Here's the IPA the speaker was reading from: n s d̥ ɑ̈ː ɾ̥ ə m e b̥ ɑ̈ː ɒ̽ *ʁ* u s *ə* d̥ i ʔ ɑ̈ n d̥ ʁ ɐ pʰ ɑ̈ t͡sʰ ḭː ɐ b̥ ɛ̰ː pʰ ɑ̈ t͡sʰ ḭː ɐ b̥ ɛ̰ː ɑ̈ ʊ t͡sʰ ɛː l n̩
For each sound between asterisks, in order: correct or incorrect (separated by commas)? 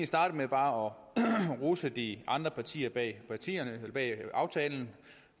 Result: correct, correct